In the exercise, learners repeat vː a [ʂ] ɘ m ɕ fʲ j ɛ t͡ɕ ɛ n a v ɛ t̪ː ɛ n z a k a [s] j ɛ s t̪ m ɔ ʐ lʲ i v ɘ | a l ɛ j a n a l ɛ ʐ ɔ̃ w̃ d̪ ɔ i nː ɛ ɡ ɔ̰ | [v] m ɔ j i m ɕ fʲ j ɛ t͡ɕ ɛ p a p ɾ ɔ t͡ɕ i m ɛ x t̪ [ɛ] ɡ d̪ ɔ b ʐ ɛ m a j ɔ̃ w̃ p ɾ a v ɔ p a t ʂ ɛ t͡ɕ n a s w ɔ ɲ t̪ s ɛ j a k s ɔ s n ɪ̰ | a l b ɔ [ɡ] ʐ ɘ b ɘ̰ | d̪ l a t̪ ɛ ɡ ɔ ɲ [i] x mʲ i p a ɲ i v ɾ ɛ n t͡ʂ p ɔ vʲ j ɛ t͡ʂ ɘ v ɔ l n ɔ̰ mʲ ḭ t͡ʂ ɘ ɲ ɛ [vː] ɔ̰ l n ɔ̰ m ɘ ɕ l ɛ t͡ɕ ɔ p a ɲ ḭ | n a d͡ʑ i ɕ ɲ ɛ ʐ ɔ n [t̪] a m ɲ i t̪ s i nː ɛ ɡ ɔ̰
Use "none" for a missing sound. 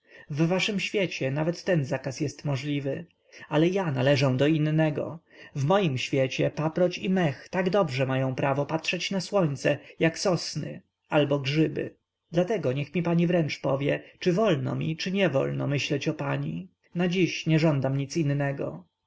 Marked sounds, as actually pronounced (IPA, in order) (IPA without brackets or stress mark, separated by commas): ʂ, s, v, a, ɡ, ɛ, v, d̪